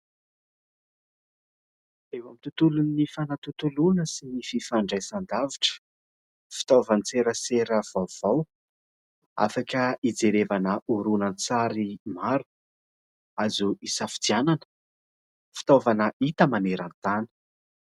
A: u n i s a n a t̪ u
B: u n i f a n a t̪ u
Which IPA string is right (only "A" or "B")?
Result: B